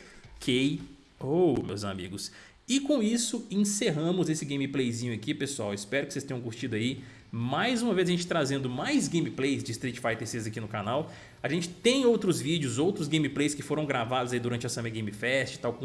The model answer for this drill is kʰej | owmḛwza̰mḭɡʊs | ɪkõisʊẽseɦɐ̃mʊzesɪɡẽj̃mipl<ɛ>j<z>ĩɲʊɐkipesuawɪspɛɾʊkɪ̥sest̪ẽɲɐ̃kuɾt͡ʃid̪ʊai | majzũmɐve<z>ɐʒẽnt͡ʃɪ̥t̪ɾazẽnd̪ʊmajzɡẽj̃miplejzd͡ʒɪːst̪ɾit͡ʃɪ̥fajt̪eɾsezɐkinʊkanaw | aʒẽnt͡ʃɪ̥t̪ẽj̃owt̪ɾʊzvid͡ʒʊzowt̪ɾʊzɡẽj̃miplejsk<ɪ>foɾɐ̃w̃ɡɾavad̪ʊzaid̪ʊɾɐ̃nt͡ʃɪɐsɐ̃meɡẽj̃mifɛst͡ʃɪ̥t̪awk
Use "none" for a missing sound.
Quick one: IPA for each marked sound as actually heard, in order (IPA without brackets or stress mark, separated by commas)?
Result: e, z, z, ɪ